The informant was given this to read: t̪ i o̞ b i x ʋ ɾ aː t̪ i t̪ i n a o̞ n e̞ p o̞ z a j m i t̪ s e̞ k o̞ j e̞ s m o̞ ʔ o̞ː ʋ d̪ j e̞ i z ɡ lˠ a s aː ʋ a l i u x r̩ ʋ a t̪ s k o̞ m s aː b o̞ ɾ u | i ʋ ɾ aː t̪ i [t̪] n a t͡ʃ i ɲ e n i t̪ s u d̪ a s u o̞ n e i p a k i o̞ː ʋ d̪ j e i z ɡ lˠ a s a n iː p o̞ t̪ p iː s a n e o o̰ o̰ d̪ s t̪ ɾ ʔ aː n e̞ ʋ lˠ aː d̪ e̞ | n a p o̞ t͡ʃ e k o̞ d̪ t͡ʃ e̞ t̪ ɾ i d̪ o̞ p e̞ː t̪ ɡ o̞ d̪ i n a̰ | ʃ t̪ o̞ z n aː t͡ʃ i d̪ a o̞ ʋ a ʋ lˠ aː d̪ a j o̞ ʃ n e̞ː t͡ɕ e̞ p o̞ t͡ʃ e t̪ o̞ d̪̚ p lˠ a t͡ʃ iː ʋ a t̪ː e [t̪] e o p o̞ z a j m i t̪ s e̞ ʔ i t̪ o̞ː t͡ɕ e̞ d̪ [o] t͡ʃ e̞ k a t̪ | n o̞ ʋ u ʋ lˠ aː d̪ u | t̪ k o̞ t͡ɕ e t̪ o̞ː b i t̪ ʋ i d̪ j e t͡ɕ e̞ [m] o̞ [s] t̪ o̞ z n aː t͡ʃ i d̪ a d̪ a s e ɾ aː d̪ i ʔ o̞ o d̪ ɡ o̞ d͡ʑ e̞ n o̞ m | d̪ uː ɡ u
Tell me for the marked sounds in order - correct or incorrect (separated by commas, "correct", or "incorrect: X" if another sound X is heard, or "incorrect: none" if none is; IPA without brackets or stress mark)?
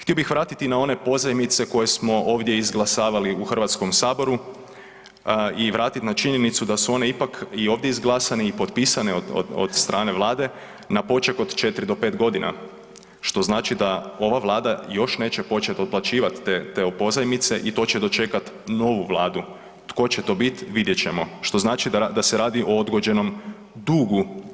correct, correct, correct, correct, incorrect: ʃ